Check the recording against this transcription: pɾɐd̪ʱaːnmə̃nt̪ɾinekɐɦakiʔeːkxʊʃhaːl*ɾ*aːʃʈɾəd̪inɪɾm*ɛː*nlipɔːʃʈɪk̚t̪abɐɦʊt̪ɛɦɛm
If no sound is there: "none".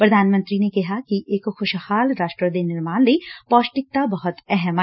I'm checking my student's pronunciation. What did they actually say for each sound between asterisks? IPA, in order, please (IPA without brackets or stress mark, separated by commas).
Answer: ɾ, aː